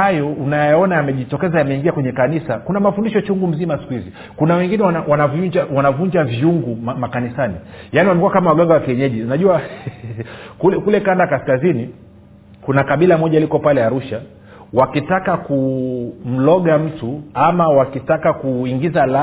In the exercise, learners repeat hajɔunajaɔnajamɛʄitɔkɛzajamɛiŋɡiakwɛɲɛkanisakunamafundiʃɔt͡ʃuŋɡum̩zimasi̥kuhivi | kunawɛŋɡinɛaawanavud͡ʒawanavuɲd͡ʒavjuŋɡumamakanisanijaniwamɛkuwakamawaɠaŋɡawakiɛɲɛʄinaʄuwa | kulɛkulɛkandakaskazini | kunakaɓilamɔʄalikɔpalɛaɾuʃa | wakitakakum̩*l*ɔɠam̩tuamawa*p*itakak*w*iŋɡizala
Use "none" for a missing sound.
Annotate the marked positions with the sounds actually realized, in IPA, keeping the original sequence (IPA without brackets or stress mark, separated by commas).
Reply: l, k, u